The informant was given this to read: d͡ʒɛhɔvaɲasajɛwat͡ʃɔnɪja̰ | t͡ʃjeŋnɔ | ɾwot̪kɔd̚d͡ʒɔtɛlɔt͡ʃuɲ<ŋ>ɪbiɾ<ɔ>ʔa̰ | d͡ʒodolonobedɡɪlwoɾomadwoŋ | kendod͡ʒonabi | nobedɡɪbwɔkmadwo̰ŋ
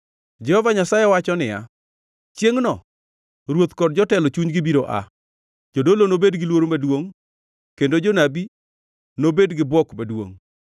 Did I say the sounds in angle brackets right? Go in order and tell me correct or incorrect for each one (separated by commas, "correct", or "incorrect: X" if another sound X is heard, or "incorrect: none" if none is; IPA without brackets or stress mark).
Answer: incorrect: ɡ, incorrect: o